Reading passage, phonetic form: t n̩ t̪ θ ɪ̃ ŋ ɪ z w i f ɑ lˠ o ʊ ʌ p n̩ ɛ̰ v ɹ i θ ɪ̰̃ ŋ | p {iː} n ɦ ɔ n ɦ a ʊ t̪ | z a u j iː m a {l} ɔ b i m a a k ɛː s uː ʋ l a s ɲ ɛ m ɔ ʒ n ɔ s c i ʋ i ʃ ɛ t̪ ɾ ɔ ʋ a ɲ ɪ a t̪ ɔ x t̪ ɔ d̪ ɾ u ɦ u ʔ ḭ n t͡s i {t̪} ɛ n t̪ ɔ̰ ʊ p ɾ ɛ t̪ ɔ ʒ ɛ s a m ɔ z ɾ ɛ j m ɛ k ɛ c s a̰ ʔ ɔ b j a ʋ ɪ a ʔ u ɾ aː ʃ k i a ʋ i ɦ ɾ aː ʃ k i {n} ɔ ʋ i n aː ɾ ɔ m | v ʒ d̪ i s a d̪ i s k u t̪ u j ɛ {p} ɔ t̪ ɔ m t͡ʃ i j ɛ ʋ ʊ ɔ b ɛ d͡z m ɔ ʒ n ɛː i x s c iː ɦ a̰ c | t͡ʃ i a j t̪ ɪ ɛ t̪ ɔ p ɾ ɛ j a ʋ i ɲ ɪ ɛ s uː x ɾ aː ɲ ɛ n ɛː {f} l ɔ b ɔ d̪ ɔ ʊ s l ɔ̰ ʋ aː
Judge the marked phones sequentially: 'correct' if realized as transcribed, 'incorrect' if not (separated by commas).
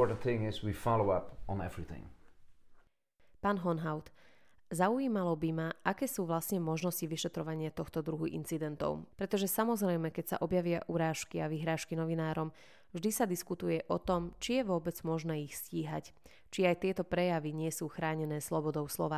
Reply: incorrect, correct, incorrect, correct, incorrect, incorrect